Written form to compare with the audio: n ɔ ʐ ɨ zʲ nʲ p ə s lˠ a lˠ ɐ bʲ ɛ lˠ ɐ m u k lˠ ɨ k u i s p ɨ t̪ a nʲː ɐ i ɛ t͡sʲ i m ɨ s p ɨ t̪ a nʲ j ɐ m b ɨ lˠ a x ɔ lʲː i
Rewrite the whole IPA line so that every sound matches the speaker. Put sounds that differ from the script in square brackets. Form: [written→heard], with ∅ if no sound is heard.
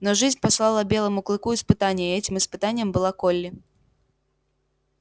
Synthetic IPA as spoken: n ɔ ʐ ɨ zʲ nʲ p [ə→a] s lˠ a lˠ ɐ bʲ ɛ lˠ ɐ m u k lˠ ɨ k u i s p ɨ t̪ a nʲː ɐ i ɛ t͡sʲ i m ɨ s p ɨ t̪ a nʲ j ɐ m b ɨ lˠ a [x→k] ɔ lʲː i